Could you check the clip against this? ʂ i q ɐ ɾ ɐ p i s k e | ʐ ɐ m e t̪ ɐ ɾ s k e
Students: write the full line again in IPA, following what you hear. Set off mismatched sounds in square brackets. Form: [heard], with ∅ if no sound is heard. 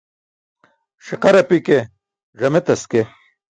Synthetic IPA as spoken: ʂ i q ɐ ɾ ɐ p i [∅] k e | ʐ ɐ m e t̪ ɐ [∅] s k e

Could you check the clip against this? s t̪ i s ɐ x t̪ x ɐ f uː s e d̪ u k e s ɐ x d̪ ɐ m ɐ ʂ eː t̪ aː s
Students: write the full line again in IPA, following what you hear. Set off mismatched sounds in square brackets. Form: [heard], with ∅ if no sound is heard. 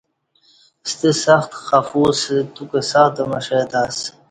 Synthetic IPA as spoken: s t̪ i s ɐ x t̪ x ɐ f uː s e [t̪] u k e s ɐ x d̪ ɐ m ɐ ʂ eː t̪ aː s

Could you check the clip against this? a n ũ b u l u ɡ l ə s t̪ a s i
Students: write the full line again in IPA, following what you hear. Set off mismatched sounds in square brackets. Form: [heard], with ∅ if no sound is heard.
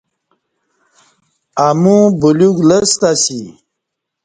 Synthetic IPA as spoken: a [m] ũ b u l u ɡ l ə s t̪ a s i

